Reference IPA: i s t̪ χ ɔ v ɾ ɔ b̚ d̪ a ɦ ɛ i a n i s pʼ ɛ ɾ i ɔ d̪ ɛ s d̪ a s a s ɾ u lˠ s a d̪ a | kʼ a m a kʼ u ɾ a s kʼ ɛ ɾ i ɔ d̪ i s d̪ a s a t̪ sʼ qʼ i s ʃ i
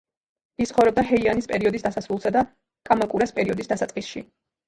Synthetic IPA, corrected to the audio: i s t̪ χ ɔ v ɾ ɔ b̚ d̪ a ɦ ɛ i a n i s pʼ ɛ ɾ i ɔ d̪ i s d̪ a s a s ɾ u lˠ s a d̪ a | kʼ a m a kʼ u ɾ a s pʼ ɛ ɾ i ɔ d̪ i s d̪ a s a t̪ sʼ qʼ i s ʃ i